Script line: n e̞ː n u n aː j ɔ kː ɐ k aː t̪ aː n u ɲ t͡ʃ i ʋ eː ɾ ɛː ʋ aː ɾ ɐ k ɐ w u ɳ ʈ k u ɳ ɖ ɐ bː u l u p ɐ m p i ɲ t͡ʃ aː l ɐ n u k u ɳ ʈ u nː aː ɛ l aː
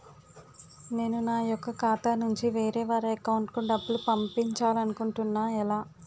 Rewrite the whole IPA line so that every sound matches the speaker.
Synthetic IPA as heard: n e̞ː n u n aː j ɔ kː ɐ k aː t̪ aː n u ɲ t͡ʃ i ʋ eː ɾ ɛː ʋ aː ɾ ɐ k ɐ w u ɳ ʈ k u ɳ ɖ ɐ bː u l u p ɐ m p i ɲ t͡ʃ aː l ɐ n u k u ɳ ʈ u nː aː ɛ l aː